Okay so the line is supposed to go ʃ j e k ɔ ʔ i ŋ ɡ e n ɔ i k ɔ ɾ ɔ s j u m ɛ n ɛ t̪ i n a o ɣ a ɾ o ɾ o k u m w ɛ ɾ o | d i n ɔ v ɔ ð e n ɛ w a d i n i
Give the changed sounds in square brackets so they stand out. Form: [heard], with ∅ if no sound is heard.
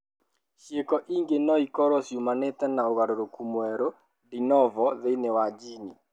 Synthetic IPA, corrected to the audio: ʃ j e k ɔ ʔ i ŋ ɡ e n ɔ i k ɔ ɾ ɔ s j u m [a] n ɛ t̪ [ɛ] n a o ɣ a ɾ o ɾ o k u m w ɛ ɾ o | d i n ɔ v ɔ ð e n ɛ w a [d͡ʒ] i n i